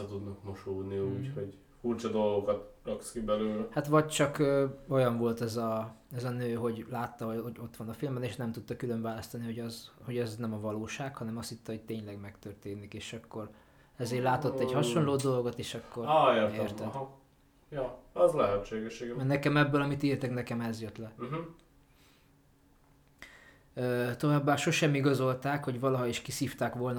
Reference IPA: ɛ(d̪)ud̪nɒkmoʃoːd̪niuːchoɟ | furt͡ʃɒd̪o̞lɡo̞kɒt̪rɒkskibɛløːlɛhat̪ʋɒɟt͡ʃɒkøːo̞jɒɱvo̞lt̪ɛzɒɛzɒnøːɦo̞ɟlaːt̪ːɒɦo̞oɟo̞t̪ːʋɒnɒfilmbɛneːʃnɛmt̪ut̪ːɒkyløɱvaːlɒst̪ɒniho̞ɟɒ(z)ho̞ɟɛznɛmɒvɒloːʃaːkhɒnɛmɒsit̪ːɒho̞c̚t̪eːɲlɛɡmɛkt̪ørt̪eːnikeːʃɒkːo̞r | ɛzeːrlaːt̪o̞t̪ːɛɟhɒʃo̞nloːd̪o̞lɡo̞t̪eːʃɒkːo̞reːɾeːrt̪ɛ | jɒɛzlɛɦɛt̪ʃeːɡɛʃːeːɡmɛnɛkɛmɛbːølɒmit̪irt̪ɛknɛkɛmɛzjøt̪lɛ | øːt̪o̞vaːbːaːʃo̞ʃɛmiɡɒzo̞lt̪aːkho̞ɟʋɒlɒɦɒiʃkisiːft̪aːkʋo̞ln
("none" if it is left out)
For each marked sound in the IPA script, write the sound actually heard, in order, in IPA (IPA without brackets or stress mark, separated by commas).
t̪, z